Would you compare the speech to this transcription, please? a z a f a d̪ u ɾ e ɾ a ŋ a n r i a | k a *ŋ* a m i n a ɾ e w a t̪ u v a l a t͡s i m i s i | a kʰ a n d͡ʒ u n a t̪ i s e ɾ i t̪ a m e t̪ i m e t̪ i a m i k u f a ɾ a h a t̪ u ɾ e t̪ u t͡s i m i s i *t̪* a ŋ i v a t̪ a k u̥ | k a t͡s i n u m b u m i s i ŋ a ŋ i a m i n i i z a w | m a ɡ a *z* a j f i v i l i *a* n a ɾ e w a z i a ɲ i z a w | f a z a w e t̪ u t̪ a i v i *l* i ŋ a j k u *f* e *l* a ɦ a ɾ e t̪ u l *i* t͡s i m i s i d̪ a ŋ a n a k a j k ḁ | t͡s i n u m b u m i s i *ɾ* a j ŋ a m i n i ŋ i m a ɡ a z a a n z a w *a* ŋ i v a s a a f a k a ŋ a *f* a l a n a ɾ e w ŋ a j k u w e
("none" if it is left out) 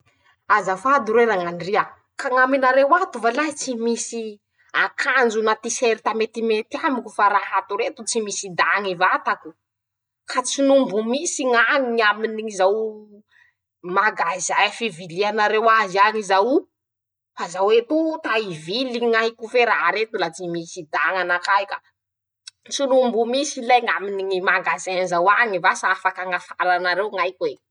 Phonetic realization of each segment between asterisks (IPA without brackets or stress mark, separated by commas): ŋ, d̪, z, a, l, f, ɾ, a, l, a, f